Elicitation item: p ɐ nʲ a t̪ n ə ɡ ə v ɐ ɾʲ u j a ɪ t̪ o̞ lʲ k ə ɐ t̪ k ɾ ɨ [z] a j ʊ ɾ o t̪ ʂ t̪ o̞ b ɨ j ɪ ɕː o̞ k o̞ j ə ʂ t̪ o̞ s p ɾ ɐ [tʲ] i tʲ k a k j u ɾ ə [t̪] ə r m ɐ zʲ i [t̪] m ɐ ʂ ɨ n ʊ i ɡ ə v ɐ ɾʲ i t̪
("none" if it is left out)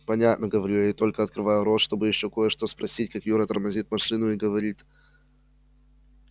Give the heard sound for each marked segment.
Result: v, sʲ, t̪, t̪

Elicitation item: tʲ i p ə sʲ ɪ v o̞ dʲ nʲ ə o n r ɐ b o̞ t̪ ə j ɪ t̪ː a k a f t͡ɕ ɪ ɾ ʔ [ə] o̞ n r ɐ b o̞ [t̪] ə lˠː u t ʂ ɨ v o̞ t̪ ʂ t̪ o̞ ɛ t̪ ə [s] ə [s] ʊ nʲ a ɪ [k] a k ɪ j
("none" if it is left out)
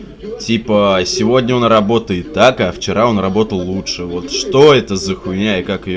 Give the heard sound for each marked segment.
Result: a, t̪, z, x, k

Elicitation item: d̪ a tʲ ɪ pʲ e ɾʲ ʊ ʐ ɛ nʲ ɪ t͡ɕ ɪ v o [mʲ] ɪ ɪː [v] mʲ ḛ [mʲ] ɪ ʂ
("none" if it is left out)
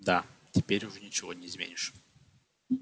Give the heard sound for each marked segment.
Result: nʲ, z, nʲ

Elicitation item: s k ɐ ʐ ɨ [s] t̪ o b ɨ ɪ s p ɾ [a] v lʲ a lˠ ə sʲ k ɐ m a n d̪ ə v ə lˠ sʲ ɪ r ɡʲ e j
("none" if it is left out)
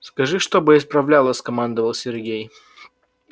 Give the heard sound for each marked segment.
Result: ʂ, ɐ

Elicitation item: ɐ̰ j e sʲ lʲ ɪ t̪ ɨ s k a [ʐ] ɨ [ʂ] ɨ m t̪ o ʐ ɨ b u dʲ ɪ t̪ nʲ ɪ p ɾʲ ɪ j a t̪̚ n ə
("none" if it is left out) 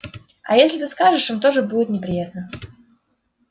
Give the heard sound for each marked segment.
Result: ʐ, ʂ

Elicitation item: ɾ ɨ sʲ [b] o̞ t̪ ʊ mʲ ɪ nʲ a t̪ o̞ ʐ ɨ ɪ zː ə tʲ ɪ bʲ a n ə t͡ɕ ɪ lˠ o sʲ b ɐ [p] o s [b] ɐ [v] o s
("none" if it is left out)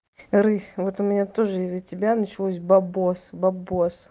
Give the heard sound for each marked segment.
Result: v, b, b, b

